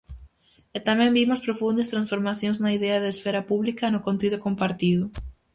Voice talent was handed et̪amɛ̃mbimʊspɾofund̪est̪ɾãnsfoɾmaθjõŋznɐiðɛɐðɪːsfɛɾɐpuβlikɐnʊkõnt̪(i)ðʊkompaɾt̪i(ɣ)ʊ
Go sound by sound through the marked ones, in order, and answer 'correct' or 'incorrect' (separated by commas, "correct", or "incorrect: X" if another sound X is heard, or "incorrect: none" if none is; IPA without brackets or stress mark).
correct, incorrect: ð